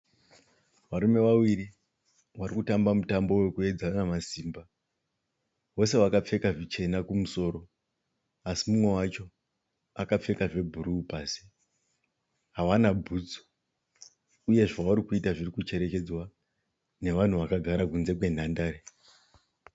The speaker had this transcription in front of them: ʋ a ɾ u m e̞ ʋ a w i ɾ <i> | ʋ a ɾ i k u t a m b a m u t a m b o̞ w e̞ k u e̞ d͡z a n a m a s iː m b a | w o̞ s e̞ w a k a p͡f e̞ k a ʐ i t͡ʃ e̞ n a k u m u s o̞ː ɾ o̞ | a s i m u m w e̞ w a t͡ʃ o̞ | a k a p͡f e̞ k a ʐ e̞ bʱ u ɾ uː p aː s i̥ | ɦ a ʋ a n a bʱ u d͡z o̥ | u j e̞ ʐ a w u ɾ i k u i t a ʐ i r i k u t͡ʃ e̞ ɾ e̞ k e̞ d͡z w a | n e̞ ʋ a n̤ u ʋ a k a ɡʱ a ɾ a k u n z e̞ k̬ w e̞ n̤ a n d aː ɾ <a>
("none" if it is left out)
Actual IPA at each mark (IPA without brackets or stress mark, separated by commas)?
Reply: i, e